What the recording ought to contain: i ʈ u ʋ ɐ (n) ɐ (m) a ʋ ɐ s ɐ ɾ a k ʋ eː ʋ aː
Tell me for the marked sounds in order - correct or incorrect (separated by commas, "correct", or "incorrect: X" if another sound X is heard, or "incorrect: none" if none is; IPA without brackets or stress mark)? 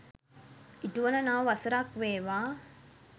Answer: correct, incorrect: n